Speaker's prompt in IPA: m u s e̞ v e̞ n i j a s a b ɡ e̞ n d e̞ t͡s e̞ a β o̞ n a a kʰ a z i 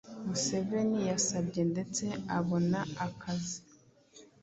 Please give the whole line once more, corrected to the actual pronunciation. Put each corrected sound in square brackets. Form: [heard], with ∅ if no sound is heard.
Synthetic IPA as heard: m u s e̞ v e̞ n i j a s a b [ɟ] e̞ n d e̞ t͡s e̞ a β o̞ n a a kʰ a z i